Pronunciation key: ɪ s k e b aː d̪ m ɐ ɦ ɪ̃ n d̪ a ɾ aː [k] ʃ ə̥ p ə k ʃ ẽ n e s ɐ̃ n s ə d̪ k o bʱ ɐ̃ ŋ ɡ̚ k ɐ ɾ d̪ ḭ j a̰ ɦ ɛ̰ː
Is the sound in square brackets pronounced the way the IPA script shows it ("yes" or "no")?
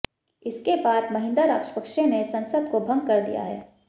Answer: yes